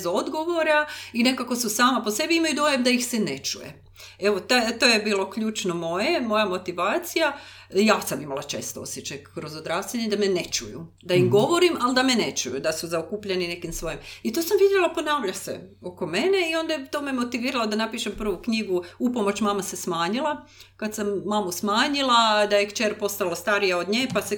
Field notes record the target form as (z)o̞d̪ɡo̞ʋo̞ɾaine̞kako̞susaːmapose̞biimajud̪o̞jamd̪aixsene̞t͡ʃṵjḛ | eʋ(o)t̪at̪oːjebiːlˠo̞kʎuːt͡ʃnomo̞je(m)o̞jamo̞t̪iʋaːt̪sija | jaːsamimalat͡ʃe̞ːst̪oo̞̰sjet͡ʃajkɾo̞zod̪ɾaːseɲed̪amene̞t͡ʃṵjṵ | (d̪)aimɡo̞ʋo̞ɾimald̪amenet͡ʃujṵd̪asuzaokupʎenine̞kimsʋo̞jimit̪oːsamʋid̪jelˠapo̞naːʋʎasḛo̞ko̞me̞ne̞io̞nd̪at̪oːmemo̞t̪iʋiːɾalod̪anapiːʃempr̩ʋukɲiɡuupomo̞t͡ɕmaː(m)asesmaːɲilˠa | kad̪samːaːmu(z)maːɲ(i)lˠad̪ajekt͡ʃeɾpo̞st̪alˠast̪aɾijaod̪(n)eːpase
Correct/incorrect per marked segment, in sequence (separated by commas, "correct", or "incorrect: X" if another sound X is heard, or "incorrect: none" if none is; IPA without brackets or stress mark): correct, correct, correct, correct, correct, incorrect: s, correct, incorrect: ɲ